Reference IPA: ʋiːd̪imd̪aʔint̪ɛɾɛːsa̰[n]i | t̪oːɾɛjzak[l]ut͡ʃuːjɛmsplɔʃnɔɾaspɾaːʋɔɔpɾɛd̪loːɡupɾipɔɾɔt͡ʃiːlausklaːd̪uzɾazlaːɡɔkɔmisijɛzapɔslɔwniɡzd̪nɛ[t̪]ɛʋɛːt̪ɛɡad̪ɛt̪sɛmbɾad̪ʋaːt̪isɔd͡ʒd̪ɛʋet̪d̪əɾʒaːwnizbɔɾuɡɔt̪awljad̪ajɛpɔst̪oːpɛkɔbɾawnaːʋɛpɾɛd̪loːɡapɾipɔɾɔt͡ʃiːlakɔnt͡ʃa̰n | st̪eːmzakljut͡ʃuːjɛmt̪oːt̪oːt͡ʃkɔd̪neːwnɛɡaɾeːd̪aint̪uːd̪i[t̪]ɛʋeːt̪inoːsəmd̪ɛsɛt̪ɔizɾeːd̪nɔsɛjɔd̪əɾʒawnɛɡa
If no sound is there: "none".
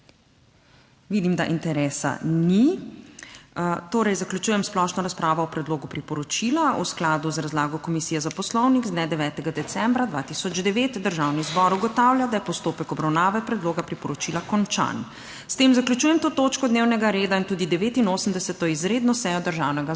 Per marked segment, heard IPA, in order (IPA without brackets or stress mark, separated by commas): n, l, d̪, d̪